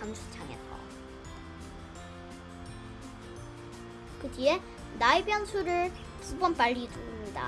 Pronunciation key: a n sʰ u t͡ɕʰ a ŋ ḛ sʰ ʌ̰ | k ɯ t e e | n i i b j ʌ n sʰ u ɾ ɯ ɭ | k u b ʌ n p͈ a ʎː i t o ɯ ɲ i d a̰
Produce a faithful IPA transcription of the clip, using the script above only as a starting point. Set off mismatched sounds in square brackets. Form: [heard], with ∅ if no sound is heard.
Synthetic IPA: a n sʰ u t͡ɕʰ a ŋ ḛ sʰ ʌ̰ | k ɯ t [i] e | n [a] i b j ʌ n sʰ u ɾ ɯ ɭ | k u b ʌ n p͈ a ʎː i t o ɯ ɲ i d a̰